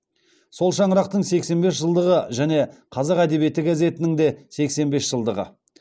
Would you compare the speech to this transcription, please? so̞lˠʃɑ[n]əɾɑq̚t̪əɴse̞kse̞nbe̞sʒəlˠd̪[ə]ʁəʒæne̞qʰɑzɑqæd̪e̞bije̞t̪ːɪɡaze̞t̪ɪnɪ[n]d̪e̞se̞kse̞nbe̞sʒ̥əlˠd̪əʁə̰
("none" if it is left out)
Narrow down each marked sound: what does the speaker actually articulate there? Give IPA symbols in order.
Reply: ɴ, ə, ŋ

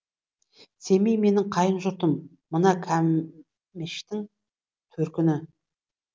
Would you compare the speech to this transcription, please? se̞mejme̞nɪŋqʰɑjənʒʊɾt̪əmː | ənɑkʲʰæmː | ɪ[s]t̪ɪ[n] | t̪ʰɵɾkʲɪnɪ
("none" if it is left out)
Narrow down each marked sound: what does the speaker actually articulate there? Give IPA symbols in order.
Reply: ʃ, ŋ

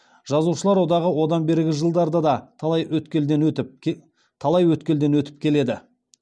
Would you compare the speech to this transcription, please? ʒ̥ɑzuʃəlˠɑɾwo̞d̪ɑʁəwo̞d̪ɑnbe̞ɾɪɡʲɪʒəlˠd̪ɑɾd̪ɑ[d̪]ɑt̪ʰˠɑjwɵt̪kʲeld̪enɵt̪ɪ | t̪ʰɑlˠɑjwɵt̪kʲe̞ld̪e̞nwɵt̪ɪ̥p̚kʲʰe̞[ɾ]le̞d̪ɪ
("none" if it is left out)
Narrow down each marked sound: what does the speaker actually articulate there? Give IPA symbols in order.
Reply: d̪, none

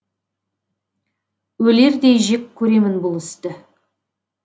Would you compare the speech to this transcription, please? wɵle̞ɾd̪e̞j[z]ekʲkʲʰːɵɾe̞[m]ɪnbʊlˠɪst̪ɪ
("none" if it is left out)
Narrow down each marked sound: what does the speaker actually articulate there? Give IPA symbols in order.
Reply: ʒ, m

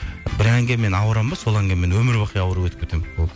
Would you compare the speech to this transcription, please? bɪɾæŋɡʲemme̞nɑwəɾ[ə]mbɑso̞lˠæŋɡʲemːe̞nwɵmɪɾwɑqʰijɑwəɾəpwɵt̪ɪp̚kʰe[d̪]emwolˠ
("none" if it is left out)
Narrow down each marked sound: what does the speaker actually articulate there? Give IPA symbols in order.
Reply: ɑ, t̪

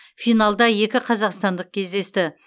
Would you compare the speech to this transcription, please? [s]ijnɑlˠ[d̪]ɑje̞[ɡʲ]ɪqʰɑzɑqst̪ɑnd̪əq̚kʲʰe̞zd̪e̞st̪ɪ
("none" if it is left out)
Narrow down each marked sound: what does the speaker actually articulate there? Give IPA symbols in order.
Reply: f, d̪, kʲ

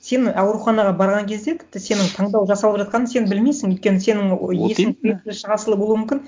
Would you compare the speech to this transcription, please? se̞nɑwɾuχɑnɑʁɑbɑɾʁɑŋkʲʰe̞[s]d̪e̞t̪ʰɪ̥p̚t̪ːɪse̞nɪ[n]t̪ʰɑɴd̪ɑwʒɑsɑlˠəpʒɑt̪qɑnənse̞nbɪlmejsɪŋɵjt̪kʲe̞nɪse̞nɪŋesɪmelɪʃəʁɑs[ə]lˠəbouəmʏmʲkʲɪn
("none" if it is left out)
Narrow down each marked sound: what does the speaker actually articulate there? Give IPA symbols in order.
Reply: z, ŋ, ə

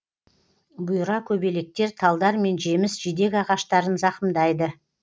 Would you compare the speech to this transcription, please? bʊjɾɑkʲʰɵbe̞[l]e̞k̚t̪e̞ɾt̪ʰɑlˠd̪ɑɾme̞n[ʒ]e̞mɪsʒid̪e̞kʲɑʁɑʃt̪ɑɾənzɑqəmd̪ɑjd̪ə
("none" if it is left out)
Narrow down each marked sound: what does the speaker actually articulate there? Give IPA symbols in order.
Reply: l, ʒ

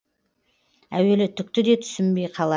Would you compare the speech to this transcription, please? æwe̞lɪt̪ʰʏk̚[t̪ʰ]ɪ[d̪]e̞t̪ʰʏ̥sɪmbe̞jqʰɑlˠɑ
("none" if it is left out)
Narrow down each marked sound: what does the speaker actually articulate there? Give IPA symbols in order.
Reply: t̪, d̪

